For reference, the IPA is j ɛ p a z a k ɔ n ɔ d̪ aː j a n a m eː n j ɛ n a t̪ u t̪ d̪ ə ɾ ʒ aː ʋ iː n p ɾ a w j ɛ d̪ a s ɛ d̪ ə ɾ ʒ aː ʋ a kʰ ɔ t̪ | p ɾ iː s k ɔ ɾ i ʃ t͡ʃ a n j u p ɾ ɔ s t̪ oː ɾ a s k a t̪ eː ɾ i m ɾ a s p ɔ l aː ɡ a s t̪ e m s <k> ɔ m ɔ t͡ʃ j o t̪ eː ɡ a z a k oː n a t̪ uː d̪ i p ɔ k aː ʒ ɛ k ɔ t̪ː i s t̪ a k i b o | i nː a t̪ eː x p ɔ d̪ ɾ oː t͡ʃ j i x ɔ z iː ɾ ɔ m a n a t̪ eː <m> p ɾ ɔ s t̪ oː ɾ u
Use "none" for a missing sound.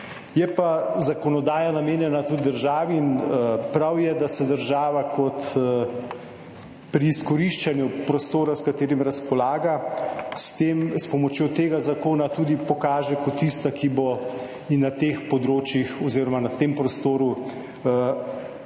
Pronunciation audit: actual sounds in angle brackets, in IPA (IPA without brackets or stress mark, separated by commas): p, m